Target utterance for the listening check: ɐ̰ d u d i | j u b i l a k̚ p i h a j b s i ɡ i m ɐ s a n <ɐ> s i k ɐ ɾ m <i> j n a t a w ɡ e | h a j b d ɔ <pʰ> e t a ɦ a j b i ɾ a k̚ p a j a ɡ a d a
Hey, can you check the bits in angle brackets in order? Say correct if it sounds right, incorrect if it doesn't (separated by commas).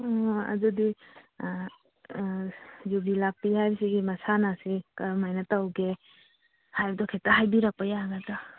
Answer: incorrect, incorrect, incorrect